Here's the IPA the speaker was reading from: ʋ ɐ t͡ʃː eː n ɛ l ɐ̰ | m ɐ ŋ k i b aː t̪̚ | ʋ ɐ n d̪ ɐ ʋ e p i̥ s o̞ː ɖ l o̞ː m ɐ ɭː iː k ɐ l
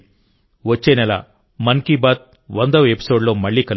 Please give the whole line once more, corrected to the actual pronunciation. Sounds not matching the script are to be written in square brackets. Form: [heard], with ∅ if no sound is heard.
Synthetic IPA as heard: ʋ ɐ t͡ʃː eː n ɛ l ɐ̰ | m ɐ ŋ k i b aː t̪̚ | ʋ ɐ n d̪ ɐ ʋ e p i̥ s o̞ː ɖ l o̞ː m ɐ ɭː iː k ɐ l